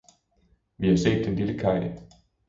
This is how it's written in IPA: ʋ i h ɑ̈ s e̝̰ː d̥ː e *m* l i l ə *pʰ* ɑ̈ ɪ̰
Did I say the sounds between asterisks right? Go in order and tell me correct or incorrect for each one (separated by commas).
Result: incorrect, incorrect